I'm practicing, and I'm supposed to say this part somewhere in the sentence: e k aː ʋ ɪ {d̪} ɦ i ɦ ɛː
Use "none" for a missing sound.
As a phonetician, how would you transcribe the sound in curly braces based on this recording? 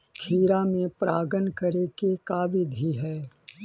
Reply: d̪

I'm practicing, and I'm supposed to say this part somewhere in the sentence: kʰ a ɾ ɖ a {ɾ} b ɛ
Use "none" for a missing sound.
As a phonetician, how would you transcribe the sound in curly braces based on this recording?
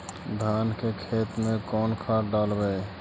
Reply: l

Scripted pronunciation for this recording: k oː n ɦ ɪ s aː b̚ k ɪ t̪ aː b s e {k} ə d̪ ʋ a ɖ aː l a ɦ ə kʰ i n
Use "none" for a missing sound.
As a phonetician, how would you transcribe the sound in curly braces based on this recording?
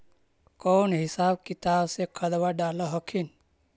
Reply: kʰ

